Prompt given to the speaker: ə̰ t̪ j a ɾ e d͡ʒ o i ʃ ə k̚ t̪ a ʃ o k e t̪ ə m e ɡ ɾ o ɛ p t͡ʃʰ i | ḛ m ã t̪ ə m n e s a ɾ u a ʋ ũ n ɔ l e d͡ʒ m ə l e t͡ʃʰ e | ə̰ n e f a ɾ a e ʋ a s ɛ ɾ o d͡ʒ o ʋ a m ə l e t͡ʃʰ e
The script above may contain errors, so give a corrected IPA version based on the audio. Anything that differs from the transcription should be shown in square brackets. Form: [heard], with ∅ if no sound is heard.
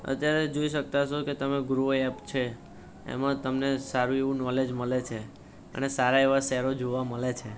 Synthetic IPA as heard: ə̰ t̪ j a ɾ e d͡ʒ o i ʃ ə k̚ t̪ a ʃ o k e t̪ ə m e ɡ ɾ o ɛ p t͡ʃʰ [e] | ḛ m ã t̪ ə m n e s a ɾ u [e] ʋ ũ n ɔ l e d͡ʒ m ə l e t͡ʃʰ e | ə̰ n e [s] a ɾ a e ʋ a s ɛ ɾ o d͡ʒ o ʋ a m ə l e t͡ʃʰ e